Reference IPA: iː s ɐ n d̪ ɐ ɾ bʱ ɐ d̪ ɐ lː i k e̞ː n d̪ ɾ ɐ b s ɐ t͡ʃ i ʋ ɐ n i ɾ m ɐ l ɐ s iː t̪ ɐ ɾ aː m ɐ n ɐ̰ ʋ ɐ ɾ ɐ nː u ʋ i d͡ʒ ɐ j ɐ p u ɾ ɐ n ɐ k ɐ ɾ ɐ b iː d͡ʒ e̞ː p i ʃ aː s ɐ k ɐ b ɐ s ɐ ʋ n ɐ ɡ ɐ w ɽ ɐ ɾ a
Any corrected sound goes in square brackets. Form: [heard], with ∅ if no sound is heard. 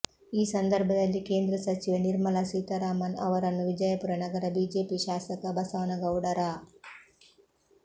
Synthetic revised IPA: iː s ɐ n d̪ ɐ ɾ bʱ ɐ d̪ ɐ lː i k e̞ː n d̪ ɾ ɐ [∅] s ɐ t͡ʃ i ʋ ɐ n i ɾ m ɐ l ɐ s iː t̪ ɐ ɾ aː m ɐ n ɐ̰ ʋ ɐ ɾ ɐ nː u ʋ i d͡ʒ ɐ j ɐ p u ɾ ɐ n ɐ [ɡ] ɐ ɾ ɐ b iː d͡ʒ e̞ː p i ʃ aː s ɐ k ɐ b ɐ s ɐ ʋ n ɐ ɡ ɐ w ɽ ɐ ɾ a